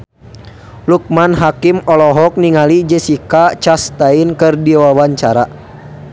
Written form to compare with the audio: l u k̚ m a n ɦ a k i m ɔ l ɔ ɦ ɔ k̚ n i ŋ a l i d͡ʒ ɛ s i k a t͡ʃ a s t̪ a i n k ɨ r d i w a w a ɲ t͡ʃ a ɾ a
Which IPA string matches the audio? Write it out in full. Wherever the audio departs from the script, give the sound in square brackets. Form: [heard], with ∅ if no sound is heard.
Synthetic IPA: l u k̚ m a n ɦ a k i m ɔ l ɔ ɦ ɔ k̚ n i ŋ a l i d͡ʒ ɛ s i k a t͡ʃ a s t̪ a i n k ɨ r d i w a w a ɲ t͡ʃ a ɾ a